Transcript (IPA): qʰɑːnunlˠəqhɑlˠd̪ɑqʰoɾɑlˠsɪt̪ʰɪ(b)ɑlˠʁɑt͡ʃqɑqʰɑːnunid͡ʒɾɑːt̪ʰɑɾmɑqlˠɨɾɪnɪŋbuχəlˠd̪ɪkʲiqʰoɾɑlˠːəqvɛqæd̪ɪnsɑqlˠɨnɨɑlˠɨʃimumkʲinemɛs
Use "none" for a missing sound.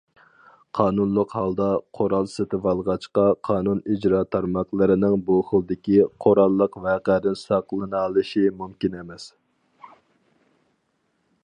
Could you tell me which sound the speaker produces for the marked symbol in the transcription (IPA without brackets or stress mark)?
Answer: v